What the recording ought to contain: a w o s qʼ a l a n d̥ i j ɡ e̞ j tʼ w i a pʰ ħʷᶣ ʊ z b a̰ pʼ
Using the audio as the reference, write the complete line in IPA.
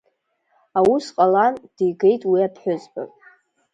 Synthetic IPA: a w u s qʼ a l a n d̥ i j ɡ e̞ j tʼ w i a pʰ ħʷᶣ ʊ z b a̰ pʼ